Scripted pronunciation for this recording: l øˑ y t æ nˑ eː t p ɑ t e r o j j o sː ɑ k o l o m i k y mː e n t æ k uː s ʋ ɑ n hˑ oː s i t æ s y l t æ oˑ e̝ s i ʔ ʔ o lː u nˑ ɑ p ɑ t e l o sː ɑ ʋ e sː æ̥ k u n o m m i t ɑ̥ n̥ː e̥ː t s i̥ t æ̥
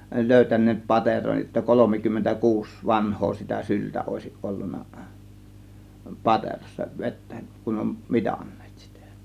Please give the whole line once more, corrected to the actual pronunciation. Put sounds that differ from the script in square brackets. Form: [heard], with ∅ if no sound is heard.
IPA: l øˑ y t æ nˑ eː t p ɑ t e r o j j o [tː] ɑ k o l o m i k y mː e n t æ k uː s ʋ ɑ n hˑ oː s i t æ s y l t æ oˑ e̝ s i ʔ ʔ o lː u nˑ ɑ p ɑ t e [r] o sː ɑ ʋ e [tː] æ̥ k u n o m m i t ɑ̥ n̥ː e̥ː t s i̥ t æ̥